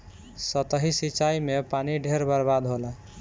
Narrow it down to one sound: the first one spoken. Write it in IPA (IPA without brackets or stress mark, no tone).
s